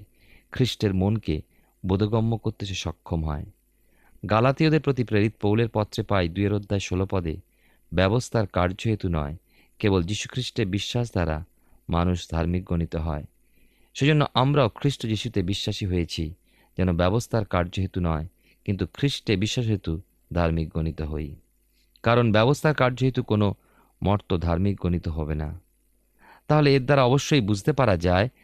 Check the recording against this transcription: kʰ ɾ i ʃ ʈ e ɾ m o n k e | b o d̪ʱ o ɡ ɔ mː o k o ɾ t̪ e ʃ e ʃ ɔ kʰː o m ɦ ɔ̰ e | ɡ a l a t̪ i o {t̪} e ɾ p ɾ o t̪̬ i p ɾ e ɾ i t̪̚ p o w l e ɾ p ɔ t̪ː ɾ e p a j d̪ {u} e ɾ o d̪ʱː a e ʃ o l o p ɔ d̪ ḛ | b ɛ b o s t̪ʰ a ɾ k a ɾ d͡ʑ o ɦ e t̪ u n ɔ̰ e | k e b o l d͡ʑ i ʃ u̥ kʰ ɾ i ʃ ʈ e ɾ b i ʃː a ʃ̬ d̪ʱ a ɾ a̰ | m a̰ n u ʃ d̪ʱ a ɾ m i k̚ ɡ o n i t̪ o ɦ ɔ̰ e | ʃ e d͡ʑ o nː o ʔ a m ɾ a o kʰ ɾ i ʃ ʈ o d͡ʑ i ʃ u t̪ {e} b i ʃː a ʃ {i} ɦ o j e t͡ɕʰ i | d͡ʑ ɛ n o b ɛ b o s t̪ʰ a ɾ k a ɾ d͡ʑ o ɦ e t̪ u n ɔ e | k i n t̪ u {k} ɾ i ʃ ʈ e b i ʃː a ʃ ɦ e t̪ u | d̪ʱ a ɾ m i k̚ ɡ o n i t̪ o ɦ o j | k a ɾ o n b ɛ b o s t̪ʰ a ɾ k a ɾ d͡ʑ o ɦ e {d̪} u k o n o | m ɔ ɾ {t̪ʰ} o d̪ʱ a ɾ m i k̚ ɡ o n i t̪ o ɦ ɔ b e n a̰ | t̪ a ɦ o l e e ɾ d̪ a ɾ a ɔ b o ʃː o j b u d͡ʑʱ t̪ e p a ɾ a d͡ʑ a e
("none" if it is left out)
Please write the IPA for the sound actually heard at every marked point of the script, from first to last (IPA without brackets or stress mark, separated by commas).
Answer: d̪, u, e, i, kʰ, t̪, t̪